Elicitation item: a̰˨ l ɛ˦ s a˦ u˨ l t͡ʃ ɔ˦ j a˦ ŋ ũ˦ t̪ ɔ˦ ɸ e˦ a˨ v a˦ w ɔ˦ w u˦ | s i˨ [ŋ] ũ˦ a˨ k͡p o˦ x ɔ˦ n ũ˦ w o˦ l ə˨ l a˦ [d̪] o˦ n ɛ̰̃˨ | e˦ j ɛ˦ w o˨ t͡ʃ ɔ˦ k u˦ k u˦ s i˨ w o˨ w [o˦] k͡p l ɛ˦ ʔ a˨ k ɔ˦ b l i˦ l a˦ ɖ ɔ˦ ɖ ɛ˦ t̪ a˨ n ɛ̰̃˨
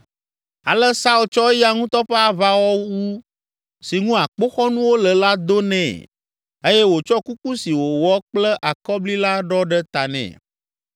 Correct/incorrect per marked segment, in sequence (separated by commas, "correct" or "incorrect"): correct, correct, incorrect